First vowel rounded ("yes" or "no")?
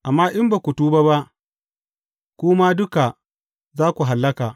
no